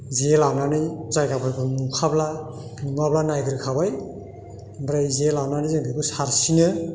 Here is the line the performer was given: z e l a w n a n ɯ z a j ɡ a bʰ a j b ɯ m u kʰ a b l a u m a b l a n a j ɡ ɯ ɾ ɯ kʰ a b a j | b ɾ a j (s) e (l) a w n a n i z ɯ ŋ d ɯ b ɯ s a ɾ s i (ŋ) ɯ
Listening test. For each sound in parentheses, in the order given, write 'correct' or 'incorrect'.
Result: incorrect: z, correct, incorrect: n

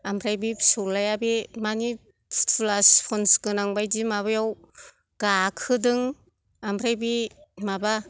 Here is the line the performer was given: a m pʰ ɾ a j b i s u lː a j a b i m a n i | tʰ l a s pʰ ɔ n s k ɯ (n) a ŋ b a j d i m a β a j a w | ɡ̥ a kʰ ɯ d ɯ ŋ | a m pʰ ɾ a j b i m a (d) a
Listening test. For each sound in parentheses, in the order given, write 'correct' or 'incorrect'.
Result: correct, incorrect: b

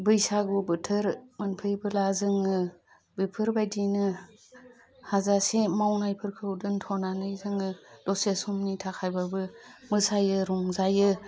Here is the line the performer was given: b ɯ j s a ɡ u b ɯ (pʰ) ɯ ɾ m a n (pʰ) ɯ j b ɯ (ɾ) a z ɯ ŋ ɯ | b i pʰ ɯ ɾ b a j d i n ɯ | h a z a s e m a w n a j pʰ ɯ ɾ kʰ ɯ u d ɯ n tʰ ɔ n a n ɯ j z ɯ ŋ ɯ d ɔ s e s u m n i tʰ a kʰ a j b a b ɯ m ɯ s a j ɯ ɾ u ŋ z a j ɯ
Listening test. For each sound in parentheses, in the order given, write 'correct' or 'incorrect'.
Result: incorrect: tʰ, correct, incorrect: l

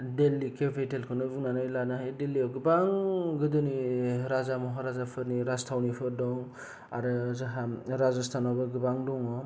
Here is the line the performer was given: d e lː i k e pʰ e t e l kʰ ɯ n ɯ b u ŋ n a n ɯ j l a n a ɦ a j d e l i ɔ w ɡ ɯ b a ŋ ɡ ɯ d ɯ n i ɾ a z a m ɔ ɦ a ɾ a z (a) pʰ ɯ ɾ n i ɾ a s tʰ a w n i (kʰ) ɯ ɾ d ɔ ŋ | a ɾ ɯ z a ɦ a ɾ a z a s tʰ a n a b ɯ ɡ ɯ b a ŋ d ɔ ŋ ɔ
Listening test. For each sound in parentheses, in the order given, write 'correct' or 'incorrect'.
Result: correct, incorrect: pʰ

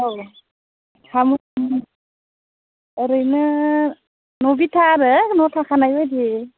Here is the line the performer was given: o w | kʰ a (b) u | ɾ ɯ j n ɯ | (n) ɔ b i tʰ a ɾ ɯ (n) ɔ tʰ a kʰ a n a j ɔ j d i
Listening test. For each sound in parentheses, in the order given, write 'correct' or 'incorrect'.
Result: incorrect: m, correct, correct

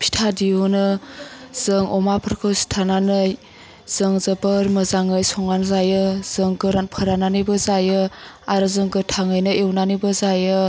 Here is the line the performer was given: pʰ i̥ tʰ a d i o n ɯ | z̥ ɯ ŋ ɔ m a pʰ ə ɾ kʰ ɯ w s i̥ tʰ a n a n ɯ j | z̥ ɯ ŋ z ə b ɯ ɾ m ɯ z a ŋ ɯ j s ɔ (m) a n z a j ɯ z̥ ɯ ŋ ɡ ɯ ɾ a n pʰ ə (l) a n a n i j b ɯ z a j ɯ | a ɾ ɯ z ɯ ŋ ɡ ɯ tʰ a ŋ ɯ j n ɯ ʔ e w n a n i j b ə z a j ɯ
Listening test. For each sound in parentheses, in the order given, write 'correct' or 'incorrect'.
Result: incorrect: ŋ, incorrect: ɾ

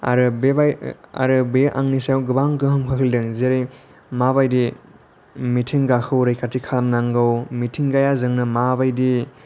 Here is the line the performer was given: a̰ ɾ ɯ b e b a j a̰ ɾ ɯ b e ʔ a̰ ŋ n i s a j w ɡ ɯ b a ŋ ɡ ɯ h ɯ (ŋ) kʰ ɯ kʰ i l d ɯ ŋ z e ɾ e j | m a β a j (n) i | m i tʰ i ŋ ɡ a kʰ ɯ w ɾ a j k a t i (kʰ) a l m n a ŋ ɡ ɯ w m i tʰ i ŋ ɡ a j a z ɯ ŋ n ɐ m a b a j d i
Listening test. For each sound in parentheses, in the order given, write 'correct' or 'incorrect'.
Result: incorrect: m, incorrect: d, correct

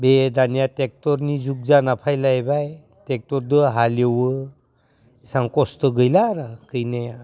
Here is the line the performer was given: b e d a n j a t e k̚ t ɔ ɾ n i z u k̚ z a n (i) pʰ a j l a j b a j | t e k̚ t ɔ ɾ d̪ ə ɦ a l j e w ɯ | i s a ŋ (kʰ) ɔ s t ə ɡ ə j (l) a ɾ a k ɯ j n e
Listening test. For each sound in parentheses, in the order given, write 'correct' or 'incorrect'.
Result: incorrect: a, incorrect: k, correct

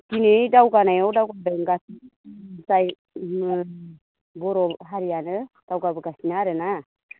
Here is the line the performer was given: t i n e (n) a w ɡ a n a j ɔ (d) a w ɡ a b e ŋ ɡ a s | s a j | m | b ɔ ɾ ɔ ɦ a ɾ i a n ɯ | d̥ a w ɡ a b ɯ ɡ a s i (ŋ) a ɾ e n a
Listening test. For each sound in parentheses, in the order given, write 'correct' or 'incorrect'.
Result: incorrect: d, correct, incorrect: n

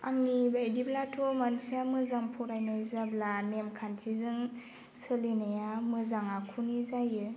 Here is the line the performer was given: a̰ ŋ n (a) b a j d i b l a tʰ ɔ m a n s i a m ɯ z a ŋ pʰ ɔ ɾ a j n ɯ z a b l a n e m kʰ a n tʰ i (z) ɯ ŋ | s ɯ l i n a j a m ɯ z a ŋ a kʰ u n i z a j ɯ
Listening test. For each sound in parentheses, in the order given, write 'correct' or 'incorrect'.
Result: incorrect: i, correct

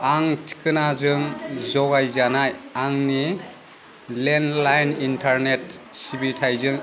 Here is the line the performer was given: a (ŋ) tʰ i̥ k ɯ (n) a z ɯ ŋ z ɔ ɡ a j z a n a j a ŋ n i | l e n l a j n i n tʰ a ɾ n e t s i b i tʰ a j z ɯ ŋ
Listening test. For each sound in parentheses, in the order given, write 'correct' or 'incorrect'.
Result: correct, correct

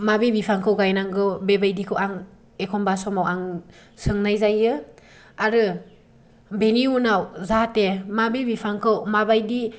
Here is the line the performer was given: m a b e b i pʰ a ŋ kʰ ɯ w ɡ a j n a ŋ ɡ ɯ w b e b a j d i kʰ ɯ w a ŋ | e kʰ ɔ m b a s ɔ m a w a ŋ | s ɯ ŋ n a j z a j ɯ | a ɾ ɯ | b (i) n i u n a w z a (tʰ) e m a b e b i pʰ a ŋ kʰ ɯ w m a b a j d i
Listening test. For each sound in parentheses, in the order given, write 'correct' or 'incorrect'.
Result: incorrect: e, incorrect: t

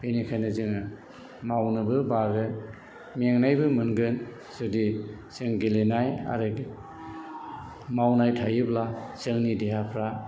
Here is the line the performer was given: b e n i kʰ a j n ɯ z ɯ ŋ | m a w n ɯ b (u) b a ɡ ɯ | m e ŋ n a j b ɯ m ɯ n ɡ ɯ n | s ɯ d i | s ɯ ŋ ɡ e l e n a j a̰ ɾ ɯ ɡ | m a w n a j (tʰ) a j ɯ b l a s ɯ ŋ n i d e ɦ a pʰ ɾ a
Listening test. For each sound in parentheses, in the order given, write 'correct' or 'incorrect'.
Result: incorrect: ɯ, correct

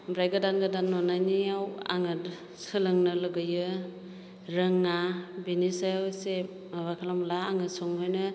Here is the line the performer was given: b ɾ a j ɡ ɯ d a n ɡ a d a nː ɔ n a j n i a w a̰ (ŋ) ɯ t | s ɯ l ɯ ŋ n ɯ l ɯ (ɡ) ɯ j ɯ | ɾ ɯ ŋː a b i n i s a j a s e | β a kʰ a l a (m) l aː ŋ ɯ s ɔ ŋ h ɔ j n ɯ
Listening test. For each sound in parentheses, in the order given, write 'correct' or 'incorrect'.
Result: correct, correct, correct

